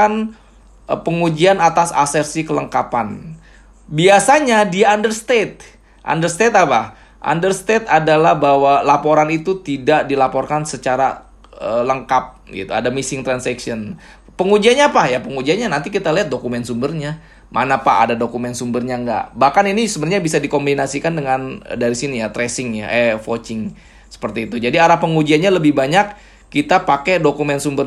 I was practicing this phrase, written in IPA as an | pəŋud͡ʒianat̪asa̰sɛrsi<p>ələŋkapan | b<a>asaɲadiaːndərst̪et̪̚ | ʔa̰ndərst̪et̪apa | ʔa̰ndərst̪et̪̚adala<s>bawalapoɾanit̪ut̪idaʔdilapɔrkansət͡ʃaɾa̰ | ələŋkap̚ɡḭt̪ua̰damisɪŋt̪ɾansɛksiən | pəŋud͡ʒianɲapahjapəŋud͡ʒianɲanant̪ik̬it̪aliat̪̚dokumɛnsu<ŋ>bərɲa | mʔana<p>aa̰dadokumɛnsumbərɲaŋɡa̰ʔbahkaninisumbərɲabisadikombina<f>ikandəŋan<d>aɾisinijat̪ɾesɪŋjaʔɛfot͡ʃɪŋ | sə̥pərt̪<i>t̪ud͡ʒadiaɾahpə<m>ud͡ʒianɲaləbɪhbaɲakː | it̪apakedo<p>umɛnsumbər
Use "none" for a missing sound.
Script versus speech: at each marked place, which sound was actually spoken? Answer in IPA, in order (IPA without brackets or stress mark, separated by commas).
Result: k, i, h, m, p, s, d, iː, ŋ, k